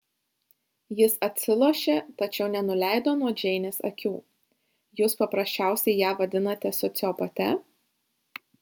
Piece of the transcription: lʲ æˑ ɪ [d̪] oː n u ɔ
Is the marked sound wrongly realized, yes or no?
no